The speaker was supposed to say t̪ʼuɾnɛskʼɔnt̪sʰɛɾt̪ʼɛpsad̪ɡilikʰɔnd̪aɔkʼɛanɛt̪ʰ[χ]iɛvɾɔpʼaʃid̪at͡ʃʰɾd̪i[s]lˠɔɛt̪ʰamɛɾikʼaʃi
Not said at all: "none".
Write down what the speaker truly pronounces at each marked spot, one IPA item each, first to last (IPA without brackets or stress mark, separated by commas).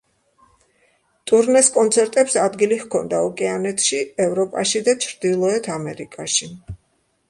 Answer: ʃ, none